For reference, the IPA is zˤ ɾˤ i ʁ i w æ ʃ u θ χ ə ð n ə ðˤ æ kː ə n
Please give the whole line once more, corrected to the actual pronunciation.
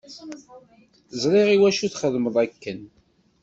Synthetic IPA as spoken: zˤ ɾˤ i ʁ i w æ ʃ u θ χ ə ð m ə ðˤ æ kː ə n

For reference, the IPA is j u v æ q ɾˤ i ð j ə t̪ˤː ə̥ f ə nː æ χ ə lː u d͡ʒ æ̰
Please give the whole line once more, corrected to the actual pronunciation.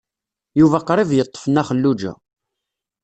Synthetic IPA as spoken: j u v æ q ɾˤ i v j ə t̪ˤː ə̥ f ə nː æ χ ə lː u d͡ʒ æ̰

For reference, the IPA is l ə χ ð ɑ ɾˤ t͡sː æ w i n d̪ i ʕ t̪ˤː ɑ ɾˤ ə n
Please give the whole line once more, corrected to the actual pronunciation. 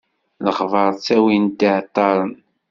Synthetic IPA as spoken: l ə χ v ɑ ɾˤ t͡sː æ w i n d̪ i ʕ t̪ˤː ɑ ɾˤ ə n

